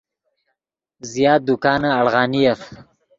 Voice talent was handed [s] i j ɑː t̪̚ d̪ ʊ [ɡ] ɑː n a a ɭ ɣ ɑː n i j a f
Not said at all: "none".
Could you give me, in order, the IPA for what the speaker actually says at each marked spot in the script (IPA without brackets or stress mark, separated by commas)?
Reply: z, k